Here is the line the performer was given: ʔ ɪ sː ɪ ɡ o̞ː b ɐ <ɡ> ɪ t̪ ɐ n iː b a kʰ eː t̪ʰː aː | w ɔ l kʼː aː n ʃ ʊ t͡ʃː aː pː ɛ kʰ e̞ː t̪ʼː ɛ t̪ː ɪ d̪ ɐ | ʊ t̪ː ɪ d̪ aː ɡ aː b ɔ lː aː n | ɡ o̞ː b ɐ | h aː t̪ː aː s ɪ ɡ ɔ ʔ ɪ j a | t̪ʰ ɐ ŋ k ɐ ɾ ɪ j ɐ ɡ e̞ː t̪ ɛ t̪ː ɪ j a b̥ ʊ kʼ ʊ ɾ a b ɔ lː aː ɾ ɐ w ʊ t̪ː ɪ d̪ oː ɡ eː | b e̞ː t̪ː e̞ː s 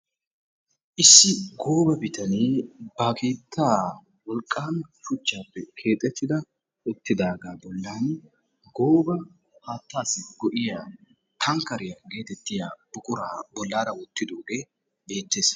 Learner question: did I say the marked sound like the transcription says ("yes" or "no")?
no